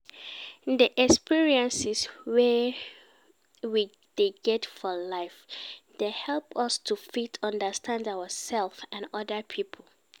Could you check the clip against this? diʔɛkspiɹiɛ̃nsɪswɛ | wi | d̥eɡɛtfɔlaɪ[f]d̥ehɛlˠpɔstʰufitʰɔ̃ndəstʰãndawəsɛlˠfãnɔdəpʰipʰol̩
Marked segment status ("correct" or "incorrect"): correct